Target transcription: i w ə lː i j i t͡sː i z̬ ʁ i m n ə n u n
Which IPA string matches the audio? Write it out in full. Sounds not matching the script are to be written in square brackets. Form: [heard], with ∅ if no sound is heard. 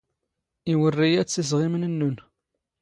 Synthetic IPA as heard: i w ə [rː] i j [æ] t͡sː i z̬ ʁ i m n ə [nː] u n